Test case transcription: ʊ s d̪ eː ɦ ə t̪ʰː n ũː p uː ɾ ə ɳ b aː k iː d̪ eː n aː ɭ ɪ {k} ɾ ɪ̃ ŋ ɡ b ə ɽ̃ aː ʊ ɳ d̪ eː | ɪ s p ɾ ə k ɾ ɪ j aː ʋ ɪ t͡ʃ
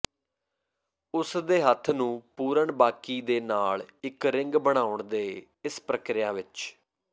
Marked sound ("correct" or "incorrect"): correct